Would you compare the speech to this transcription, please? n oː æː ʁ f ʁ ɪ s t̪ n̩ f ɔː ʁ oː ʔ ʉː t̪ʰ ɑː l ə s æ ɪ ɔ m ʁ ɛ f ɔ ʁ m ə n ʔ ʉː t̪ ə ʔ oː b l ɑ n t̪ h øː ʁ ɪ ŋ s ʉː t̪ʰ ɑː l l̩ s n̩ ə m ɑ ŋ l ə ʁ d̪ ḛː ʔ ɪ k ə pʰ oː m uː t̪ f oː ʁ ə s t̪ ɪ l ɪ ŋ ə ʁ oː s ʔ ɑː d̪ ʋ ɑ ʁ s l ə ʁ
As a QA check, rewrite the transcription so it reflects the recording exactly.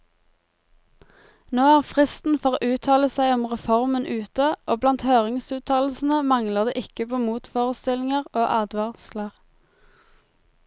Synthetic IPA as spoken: n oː æː ʁ f ʁ ɪ s t̪ n̩ f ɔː ʁ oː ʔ ʉː t̪ʰ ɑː l ə s æ ɪ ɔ m ʁ ɛ f ɔ ʁ m ə n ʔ ʉː t̪ ə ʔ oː b l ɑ n t̪ h øː ʁ ɪ ŋ s ʉː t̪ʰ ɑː l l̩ s n̩ ə m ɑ ŋ l ə ʁ d̪ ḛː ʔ ɪ k ə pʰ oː m uː t̪ f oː ʁ ə s t̪ ɪ l ɪ ŋ ə ʁ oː ʔ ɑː d̪ ʋ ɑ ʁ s l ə ʁ